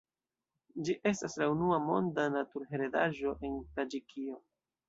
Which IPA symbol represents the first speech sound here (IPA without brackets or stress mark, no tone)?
d͡ʒ